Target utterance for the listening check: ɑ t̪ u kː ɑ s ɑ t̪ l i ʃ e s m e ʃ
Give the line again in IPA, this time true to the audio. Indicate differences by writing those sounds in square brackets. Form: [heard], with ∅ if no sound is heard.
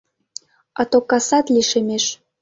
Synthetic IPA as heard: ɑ t̪ [o] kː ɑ s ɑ t̪ l i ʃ e [∅] m e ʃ